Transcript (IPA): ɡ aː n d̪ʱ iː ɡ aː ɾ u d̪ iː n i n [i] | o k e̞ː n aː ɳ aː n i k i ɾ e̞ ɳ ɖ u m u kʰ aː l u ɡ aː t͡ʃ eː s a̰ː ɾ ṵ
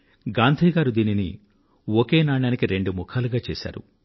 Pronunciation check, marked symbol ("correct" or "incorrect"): correct